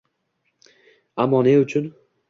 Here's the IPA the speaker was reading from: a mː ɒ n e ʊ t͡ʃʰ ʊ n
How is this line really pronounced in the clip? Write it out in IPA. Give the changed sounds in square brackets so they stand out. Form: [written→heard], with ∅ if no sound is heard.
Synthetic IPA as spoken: a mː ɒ n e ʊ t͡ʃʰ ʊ n